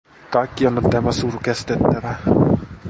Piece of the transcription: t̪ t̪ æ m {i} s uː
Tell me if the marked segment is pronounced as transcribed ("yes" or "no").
no